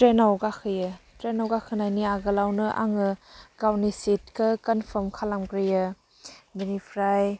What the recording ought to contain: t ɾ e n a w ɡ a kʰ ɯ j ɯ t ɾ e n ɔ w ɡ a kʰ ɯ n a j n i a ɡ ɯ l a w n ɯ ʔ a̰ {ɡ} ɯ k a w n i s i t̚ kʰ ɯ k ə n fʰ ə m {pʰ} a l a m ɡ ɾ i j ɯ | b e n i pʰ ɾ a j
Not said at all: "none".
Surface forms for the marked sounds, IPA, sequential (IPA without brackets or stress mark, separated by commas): ŋ, kʰ